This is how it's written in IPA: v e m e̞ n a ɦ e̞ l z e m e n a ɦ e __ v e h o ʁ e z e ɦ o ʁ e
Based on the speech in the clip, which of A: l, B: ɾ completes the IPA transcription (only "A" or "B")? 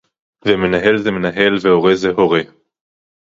A